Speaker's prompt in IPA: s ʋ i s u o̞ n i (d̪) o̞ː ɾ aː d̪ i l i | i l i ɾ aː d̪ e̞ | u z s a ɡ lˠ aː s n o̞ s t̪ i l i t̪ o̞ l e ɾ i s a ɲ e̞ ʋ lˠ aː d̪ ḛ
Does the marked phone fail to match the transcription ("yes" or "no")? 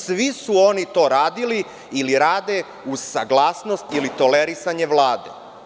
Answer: yes